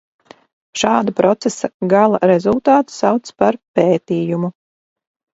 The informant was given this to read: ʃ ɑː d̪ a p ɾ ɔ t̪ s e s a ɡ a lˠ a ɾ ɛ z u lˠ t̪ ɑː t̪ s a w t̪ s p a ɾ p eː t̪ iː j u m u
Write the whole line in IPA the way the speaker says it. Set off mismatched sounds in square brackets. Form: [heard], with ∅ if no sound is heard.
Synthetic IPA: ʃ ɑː d̪ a p ɾ ɔ t̪ s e s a ɡ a lˠ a ɾ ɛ z u lˠ t̪ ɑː t̪ s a w t̪ s p a ɾ p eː t̪ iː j u m u